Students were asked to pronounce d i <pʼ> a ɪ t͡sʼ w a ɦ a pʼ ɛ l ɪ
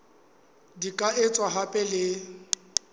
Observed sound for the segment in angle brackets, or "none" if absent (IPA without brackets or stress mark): kʼ